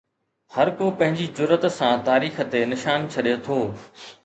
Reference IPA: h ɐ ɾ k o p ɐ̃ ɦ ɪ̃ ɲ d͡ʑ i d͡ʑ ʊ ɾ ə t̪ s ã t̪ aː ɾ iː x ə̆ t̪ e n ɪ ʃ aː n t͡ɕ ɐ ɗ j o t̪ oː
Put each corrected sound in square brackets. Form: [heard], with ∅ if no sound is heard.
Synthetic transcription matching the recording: h ɐ ɾ k o p ɐ̃ ɦ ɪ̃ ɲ d͡ʑ i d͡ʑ ʊ ɾ ə t̪ s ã t̪ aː ɾ iː x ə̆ t̪ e n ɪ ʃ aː n [t͡ɕʰ] ɐ ɗ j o [t̪ʰ] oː